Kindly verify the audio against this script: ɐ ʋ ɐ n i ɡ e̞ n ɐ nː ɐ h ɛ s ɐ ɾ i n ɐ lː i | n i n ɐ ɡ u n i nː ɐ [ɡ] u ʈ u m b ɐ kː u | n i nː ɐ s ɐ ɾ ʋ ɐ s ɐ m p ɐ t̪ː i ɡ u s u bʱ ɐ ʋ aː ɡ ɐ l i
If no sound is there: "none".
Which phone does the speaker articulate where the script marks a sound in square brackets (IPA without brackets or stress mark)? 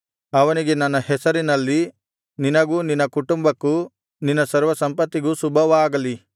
k